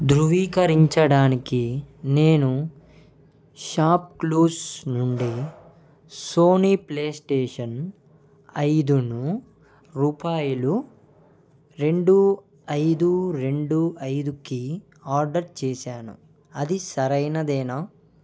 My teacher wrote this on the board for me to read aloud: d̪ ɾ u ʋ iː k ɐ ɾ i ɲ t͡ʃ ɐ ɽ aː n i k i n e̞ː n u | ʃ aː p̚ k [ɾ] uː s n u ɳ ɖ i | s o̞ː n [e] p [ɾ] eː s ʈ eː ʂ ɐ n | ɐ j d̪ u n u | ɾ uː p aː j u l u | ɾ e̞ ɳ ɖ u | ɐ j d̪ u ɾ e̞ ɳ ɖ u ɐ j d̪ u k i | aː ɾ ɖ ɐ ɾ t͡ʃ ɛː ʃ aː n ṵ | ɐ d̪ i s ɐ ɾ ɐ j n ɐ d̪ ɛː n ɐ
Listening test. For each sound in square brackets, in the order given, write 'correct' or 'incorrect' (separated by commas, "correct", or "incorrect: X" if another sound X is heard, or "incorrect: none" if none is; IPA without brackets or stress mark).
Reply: incorrect: l, incorrect: i, incorrect: l